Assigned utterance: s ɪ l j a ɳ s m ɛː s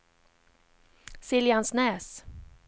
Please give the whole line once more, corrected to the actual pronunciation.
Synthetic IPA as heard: s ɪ l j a n s n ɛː s

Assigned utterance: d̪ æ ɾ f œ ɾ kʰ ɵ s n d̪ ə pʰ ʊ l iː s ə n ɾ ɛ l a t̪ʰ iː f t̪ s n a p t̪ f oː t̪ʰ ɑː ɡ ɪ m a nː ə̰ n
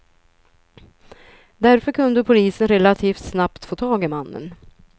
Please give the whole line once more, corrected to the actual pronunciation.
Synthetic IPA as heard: d̪ æ ɾ f œ ɾ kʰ ɵ n d̪ ə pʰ ʊ l iː s ə n ɾ ɛ l a t̪ʰ iː f t̪ s n a p t̪ f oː t̪ʰ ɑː ɡ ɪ m a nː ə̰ n

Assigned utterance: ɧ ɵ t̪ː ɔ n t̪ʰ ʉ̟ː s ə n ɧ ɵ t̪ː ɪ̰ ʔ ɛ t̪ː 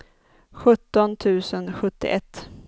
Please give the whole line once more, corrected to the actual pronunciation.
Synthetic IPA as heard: ɧ ɵ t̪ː ɔ n t̪ʰ ʉ̟ː s ə n ɧ ɵ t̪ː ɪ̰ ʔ ɛ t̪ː

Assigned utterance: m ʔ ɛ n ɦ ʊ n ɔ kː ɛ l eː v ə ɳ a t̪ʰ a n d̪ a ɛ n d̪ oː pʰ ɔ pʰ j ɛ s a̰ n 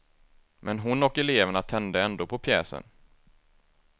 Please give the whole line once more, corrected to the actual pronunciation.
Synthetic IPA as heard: m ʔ ɛ n ɦ ʊ n ɔ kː ɛ l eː v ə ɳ a t̪ʰ ɛ n d̪ ə ɛ n d̪ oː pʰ ɔ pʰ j ɛː s ə̰ n

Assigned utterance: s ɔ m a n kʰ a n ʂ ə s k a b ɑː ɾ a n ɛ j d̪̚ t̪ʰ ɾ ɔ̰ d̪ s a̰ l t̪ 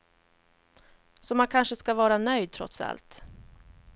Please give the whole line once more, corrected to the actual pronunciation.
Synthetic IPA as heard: s ɔ m a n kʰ a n ʂ ə s k a v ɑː ɾ a n œ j d̪̚ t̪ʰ ɾ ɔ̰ t̪ s a̰ l t̪

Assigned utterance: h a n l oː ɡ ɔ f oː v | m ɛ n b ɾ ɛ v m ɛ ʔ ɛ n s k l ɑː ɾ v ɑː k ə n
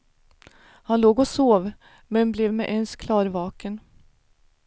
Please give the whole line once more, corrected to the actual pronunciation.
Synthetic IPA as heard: h a n l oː ɡ ɔ s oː v | m ɛ n b l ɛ v m ɛ ʔ ɛ n s kʰ l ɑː ɾ v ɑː k ə n

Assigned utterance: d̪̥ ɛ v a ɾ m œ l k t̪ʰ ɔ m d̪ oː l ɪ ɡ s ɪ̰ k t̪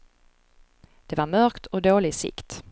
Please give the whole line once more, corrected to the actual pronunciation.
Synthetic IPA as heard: d̪̥ ɛ v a ɾ m œ ɾ k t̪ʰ ɔ d̪ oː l ɪ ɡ s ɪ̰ k t̪

